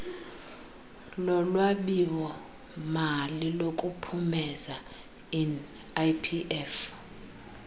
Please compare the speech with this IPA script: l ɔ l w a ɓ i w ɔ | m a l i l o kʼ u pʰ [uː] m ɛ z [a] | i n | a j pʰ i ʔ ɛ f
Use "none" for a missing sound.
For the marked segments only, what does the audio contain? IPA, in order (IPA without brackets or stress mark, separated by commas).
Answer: u, a